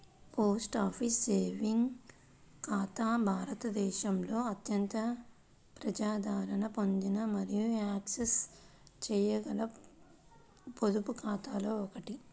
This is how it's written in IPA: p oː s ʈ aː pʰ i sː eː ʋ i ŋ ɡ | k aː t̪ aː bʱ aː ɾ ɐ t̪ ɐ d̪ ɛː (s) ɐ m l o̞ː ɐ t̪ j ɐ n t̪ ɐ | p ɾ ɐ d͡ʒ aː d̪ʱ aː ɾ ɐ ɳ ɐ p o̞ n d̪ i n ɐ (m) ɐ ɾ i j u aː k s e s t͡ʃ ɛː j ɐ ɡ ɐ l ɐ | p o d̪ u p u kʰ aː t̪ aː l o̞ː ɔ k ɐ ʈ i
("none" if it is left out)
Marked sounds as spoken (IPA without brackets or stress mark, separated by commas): ʃ, m